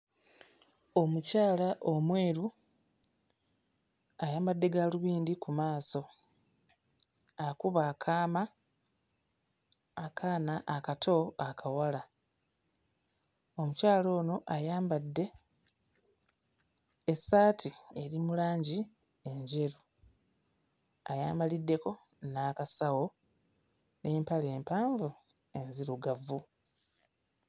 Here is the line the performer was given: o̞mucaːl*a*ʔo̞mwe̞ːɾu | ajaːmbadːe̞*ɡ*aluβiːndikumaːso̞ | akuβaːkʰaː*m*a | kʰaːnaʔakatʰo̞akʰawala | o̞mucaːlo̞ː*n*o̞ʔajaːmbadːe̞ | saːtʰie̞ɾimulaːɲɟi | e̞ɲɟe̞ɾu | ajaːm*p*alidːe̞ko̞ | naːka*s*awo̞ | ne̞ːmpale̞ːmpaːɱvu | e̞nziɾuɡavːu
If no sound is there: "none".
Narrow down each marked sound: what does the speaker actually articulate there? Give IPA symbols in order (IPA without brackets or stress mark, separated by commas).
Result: a, ɡ, m, n, b, s